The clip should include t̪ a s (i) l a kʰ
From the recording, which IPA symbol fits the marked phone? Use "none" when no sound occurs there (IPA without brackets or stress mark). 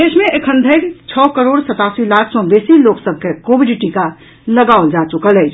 i